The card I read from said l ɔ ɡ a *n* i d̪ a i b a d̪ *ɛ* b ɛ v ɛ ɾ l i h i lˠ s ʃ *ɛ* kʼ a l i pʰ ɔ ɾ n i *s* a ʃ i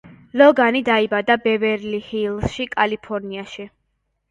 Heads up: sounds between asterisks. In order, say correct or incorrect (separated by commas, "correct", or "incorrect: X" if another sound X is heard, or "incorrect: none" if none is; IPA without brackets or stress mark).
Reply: correct, incorrect: a, incorrect: i, incorrect: none